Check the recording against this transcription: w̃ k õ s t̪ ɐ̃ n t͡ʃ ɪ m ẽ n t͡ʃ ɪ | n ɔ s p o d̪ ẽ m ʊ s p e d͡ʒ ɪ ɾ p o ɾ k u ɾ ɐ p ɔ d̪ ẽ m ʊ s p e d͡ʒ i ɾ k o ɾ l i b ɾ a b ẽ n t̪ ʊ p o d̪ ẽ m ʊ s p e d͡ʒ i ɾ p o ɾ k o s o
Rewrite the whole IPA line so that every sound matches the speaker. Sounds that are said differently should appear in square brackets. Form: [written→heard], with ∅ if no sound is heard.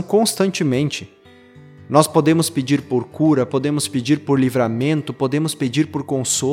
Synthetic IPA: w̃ k õ s t̪ ɐ̃ n t͡ʃ ɪ m ẽ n t͡ʃ ɪ | n ɔ s p o d̪ ẽ m ʊ s p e d͡ʒ [ɪ→i] ɾ p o ɾ k u ɾ ɐ p [ɔ→o] d̪ ẽ m ʊ s p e d͡ʒ i ɾ [k→p] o ɾ l i [b→v] ɾ a [b→m] ẽ n t̪ ʊ p o d̪ ẽ m ʊ s p e d͡ʒ i ɾ p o ɾ k [o→õ] s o